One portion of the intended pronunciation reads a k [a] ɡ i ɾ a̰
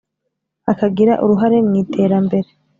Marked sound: correct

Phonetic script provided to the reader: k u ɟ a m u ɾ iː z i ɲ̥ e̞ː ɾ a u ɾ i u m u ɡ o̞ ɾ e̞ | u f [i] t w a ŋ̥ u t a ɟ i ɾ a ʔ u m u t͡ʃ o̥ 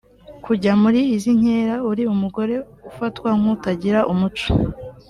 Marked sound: incorrect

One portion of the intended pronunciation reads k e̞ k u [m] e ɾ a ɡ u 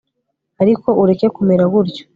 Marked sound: correct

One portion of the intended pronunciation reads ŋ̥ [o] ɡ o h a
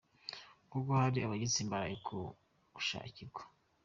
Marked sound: incorrect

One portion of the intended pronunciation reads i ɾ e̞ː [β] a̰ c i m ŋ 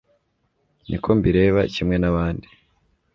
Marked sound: correct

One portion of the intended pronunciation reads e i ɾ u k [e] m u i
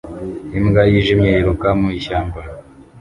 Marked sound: incorrect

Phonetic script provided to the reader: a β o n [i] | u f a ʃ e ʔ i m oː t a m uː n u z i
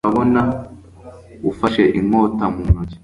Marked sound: incorrect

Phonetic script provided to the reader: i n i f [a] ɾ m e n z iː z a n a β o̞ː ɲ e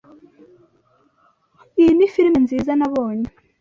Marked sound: incorrect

